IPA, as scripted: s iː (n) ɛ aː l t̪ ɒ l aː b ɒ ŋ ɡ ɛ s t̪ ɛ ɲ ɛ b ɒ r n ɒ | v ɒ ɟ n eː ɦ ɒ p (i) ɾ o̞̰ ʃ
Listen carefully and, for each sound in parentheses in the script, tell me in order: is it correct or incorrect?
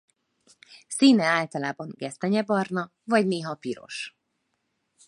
correct, correct

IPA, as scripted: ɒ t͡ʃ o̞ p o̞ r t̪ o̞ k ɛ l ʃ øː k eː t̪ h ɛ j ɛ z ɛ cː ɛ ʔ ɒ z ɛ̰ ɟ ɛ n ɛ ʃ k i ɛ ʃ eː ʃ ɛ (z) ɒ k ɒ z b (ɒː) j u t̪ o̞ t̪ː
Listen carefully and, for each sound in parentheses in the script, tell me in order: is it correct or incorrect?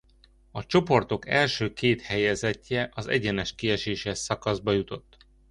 incorrect, incorrect

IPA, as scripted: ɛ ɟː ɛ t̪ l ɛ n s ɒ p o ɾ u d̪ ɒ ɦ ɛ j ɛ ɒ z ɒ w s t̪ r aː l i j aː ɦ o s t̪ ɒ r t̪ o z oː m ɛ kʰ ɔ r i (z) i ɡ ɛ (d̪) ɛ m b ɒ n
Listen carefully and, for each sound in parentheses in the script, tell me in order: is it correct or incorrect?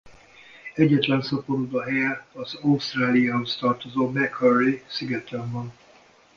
incorrect, incorrect

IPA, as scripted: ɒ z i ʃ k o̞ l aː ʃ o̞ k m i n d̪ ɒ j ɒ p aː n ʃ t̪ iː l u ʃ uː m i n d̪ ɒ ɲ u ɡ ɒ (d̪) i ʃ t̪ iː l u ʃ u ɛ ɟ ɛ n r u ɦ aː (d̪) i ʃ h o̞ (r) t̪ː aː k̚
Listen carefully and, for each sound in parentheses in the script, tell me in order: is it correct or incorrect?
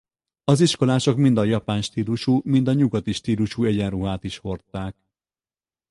incorrect, incorrect, correct

